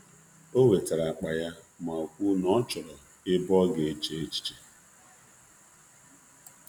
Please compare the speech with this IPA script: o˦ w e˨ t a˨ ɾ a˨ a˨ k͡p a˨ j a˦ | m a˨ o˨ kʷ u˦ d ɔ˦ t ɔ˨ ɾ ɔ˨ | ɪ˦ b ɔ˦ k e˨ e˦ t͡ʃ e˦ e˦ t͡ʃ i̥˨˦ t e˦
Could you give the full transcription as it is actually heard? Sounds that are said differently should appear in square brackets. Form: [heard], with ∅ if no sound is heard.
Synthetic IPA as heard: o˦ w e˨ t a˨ ɾ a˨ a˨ k͡p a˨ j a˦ | m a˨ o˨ kʷ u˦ [n] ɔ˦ [t͡ʃ] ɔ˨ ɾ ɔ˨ | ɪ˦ b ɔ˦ [ɡ] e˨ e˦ t͡ʃ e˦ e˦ t͡ʃ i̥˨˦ [t͡ʃ] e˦